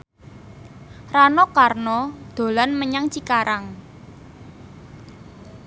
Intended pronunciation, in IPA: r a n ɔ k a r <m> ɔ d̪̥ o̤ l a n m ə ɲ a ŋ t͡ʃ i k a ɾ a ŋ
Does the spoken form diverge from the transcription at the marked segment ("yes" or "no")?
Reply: yes